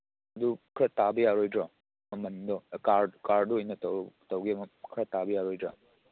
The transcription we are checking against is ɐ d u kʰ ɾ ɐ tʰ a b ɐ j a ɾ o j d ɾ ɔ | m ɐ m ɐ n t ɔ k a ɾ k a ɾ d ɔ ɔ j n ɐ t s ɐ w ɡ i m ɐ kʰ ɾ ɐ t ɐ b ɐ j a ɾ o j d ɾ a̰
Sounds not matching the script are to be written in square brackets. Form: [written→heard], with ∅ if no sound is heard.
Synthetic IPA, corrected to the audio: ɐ d u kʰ ɾ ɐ [tʰ→t] a b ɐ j a ɾ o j d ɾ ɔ | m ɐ m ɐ n [t→d] ɔ k a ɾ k a ɾ d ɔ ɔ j n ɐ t [s→t] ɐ w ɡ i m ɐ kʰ ɾ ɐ t [ɐ→a] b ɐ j a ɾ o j d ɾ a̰